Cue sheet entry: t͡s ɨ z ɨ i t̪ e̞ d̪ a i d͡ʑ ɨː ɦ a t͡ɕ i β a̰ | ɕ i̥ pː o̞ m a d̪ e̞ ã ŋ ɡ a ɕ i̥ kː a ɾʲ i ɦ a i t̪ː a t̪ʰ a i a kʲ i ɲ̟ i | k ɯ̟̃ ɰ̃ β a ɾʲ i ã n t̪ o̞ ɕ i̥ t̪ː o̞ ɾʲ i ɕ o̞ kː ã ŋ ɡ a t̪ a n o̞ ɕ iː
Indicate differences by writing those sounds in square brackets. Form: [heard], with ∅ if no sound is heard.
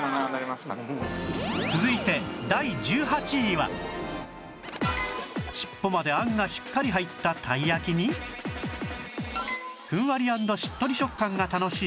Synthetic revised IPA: t͡s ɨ z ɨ i t̪ e̞ d̪ a i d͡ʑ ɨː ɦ a t͡ɕ i β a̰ | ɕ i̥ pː o̞ m a d̪ e̞ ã ŋ ɡ a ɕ i̥ kː a ɾʲ i ɦ a i t̪ː a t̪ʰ a i a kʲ i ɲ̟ i | k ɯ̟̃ ɰ̃ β a ɾʲ i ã n [d̪] o̞ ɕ i̥ t̪ː o̞ ɾʲ i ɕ o̞ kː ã ŋ ɡ a t̪ a n o̞ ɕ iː